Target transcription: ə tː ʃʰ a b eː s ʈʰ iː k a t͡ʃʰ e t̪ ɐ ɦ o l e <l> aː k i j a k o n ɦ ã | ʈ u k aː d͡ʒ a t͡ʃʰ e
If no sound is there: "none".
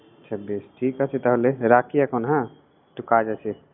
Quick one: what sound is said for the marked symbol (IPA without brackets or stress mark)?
ɾ